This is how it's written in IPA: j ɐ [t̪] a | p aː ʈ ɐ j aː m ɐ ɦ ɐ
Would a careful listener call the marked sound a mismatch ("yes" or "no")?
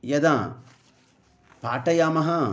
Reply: yes